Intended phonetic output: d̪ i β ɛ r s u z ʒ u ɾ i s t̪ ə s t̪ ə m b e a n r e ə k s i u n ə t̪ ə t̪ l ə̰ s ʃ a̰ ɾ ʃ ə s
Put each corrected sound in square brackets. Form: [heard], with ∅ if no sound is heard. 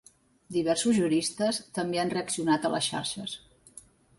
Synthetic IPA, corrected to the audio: d̪ i β ɛ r s u z ʒ u ɾ i s t̪ ə s t̪ ə m b e a n r e ə k s i u n [a] t̪ ə [∅] l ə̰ s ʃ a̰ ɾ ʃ ə s